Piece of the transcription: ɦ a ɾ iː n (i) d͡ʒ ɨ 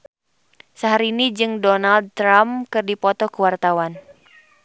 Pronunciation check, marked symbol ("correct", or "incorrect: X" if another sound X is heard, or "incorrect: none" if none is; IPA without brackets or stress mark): correct